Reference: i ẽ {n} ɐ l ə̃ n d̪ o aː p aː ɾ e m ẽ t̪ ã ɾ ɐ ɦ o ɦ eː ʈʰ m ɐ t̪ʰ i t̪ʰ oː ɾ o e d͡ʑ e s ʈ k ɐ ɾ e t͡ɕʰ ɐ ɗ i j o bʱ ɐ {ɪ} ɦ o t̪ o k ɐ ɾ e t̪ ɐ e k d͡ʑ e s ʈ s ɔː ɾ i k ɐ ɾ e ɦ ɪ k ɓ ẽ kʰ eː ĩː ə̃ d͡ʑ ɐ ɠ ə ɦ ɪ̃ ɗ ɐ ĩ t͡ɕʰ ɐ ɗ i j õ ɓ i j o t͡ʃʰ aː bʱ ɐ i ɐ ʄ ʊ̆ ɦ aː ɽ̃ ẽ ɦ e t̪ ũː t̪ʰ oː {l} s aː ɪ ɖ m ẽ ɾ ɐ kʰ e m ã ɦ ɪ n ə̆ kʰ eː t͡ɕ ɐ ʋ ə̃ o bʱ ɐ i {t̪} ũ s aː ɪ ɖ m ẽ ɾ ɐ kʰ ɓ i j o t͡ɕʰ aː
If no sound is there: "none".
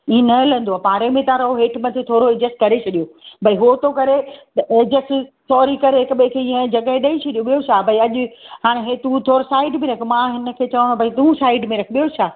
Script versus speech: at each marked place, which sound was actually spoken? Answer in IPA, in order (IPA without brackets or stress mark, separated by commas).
n, i, ɾ, t̪